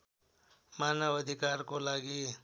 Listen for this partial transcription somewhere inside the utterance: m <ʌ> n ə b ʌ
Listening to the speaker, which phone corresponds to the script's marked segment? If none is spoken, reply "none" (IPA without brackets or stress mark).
a